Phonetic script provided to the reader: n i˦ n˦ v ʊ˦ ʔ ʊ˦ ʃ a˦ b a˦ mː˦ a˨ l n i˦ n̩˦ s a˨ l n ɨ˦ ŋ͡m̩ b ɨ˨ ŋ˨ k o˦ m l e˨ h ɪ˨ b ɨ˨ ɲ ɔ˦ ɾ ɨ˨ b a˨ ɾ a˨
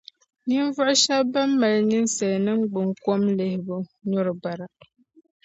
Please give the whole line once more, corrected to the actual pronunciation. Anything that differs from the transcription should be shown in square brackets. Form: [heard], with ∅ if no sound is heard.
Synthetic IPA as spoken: n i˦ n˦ v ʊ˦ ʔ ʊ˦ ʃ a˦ b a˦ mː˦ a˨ l n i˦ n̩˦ s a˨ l n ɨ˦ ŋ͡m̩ [ɡ͡b] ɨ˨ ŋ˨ k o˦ m l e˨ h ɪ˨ b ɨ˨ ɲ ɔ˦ ɾ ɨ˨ b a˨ ɾ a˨